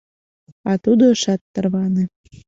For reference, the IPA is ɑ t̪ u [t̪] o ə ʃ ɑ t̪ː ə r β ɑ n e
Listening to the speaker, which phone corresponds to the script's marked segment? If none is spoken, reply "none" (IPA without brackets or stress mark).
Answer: d̪